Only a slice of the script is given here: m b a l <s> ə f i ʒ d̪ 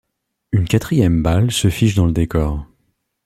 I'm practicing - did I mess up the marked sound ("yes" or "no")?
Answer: no